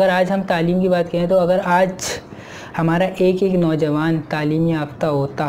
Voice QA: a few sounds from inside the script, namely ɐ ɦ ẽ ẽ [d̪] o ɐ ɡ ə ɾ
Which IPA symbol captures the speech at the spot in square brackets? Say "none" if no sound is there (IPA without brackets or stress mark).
t̪